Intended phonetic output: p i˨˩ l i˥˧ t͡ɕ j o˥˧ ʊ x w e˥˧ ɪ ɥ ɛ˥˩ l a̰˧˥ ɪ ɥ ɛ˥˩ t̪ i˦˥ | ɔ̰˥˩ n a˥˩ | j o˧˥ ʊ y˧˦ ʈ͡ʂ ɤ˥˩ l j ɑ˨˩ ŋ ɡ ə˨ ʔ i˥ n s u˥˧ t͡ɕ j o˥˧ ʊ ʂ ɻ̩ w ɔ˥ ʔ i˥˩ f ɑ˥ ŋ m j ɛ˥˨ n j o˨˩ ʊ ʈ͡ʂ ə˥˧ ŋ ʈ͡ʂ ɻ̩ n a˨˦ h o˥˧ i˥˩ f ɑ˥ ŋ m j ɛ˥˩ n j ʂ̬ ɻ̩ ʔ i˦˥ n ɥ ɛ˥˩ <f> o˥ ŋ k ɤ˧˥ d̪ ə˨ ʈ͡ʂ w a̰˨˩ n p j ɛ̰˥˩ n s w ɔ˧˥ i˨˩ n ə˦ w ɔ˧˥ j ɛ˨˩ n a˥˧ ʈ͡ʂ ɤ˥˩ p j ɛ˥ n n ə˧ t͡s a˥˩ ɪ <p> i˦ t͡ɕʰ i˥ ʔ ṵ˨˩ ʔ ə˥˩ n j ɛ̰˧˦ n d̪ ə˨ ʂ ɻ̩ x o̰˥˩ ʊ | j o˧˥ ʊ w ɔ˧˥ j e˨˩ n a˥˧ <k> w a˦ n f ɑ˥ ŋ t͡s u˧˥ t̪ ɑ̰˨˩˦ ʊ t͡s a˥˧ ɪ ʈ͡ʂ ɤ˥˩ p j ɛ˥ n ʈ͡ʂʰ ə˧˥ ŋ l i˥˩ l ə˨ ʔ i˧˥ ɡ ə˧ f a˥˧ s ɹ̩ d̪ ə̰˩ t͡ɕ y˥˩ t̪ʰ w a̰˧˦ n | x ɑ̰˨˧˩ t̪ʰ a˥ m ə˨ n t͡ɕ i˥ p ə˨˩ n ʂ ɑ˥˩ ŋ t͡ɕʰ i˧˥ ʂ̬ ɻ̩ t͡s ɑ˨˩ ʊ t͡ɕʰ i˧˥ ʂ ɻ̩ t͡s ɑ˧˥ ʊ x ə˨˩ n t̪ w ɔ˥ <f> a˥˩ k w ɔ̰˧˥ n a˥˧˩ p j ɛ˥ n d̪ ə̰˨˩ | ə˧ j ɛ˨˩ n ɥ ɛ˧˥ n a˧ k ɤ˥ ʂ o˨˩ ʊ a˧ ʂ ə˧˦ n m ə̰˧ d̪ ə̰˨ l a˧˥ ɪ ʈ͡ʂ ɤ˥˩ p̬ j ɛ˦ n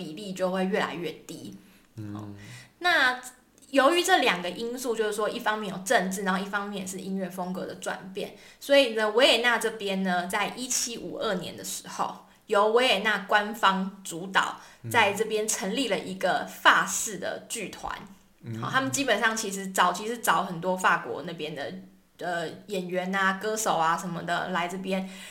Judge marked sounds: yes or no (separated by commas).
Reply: yes, no, yes, yes